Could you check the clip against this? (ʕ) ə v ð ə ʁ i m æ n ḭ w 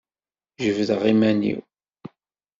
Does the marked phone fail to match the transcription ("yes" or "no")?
yes